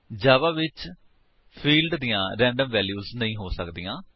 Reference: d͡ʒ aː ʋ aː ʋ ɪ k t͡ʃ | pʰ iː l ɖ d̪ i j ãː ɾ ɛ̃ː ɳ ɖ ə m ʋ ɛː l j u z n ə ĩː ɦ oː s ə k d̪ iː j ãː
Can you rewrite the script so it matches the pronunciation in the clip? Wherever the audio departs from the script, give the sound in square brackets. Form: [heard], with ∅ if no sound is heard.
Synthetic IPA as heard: d͡ʒ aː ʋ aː ʋ ɪ [∅] t͡ʃ | pʰ iː l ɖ d̪ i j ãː ɾ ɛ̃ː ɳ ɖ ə m ʋ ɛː l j [uː] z n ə ĩː ɦ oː s ə k d̪ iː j ãː